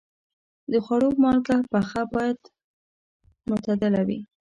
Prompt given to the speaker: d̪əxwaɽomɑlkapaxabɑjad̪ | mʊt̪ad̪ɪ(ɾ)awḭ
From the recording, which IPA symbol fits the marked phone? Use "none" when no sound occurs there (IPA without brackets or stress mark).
l